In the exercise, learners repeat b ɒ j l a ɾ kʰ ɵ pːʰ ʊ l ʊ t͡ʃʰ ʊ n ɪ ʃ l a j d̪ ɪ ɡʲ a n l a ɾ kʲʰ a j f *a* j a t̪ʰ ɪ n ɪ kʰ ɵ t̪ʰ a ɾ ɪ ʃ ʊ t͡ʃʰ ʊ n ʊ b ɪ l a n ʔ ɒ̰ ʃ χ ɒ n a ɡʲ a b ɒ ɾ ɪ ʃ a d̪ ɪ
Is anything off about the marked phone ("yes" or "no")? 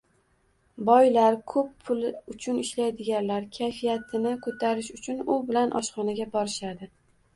yes